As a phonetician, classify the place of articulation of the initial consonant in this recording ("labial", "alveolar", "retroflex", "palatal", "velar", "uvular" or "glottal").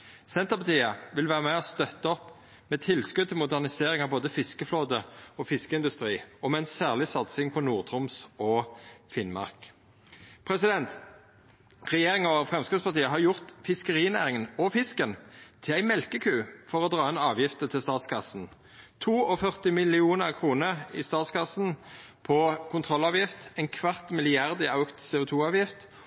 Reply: alveolar